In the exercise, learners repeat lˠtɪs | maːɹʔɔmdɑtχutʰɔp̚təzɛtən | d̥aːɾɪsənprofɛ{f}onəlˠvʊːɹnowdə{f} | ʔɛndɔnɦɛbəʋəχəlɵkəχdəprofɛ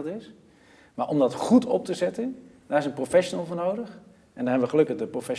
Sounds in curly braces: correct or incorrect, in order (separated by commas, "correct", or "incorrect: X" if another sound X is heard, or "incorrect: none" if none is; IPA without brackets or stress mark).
incorrect: ʃ, incorrect: χ